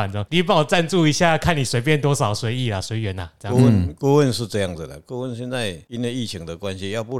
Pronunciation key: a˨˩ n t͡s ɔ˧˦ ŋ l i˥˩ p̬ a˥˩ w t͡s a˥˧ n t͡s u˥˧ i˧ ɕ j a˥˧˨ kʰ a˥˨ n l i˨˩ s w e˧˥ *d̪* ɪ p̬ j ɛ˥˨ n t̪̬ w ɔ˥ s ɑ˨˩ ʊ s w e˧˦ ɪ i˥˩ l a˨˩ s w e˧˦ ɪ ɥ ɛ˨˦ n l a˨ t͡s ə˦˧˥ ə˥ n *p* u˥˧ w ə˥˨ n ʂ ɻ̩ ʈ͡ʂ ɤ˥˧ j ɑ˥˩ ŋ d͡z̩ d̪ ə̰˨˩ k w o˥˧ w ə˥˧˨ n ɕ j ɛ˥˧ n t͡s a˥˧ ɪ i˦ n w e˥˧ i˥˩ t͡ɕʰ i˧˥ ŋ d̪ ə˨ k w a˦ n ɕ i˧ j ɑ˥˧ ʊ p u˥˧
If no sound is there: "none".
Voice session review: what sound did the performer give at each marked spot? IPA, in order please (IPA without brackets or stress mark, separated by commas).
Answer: none, k